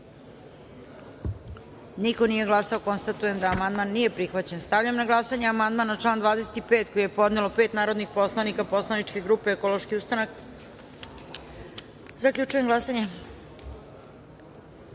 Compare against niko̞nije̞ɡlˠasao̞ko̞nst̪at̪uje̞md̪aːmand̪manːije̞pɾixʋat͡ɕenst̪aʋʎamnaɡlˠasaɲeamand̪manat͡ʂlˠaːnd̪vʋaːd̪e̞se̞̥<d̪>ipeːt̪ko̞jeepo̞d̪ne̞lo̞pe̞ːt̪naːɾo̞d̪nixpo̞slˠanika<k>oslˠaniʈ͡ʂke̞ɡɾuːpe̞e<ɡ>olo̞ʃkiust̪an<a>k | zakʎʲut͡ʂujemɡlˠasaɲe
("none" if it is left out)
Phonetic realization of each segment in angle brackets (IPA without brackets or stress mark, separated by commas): t̪, p, k, a